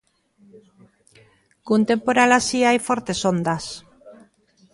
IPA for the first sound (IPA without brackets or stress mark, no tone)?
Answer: k